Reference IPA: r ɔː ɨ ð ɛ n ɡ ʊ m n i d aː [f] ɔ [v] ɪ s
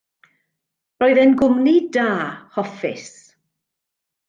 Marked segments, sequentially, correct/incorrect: incorrect: h, incorrect: f

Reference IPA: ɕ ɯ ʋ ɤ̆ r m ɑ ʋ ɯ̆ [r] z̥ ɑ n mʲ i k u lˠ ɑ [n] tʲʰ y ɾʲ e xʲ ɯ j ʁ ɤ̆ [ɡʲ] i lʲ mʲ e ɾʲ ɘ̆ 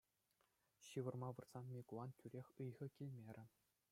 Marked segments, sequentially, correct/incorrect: correct, correct, incorrect: kʲ

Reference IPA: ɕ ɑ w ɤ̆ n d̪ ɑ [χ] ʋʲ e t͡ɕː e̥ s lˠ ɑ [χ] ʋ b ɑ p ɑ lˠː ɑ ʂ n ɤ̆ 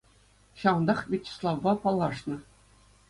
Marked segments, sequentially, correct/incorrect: correct, incorrect: none

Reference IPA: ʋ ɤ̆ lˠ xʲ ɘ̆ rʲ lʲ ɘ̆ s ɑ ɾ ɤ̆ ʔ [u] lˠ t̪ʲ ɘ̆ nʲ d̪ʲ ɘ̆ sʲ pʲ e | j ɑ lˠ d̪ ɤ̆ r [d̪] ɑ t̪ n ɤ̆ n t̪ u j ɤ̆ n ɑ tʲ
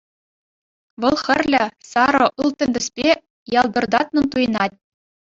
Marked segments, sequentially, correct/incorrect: incorrect: ɯ, correct

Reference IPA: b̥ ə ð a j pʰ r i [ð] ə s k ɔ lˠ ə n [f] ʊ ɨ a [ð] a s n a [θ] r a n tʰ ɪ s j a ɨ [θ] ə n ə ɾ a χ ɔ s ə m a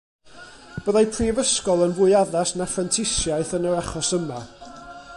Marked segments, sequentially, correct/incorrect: incorrect: v, incorrect: v, correct, incorrect: f, correct

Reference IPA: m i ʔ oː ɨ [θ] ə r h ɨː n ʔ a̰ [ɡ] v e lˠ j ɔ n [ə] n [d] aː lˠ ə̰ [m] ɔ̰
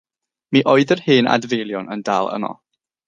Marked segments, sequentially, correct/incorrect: incorrect: ð, incorrect: d, correct, correct, correct

